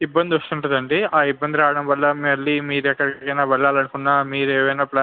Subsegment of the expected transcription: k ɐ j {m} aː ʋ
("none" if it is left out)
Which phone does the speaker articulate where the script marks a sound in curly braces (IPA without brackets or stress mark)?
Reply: n